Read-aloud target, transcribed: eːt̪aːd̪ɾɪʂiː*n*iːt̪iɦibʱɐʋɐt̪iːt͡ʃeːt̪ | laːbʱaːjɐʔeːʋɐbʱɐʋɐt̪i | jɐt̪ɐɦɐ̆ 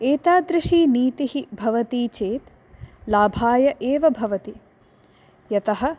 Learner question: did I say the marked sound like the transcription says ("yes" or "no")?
yes